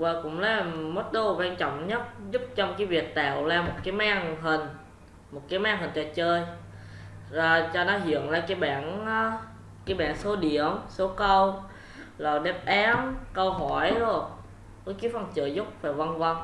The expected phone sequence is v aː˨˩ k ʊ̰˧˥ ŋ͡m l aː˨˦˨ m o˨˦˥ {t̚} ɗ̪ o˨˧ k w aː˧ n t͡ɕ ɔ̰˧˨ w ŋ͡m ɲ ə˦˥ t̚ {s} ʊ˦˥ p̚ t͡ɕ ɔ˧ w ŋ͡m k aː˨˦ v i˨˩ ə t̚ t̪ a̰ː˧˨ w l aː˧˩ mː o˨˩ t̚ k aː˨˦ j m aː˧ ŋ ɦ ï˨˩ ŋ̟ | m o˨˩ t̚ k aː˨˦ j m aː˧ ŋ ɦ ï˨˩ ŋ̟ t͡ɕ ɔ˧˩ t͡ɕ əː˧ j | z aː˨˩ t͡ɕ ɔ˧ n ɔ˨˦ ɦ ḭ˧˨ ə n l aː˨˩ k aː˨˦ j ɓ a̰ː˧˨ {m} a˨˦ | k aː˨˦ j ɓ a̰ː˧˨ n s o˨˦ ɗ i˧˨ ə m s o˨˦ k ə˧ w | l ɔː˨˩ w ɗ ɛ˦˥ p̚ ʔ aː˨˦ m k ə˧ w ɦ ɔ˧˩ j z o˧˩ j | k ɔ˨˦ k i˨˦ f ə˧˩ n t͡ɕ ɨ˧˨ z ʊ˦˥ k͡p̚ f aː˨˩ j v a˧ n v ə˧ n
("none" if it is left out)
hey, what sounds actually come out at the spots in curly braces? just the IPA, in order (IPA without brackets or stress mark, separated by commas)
t̚, z, n